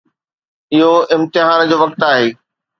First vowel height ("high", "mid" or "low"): high